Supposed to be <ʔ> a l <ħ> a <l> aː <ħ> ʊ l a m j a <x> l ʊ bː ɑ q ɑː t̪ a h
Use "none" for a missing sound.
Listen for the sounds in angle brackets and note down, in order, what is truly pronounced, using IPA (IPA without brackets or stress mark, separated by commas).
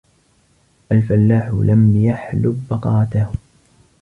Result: ʔ, f, lː, ħ, ħ